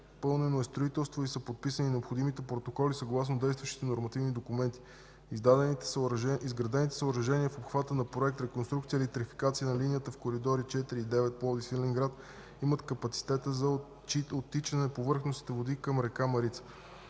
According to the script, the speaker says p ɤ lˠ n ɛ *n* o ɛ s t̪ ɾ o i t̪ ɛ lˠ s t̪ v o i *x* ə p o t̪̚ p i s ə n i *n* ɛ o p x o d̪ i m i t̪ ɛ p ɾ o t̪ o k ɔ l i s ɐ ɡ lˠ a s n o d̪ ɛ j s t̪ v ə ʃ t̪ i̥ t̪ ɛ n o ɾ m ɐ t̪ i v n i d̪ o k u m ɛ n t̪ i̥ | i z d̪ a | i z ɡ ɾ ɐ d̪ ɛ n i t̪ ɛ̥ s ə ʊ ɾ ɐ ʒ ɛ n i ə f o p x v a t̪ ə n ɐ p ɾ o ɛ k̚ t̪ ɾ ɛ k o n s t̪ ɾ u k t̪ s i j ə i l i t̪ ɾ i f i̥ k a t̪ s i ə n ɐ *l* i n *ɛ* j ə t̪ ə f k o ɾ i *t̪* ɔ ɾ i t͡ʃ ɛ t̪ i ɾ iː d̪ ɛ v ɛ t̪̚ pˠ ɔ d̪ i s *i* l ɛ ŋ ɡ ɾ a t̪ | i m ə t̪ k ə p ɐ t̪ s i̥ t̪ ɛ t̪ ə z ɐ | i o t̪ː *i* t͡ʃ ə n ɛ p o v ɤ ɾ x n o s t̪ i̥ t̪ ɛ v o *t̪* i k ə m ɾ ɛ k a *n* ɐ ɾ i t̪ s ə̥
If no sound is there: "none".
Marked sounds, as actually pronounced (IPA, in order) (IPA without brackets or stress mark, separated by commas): n, s, n, l, i, d̪, i, i, d̪, m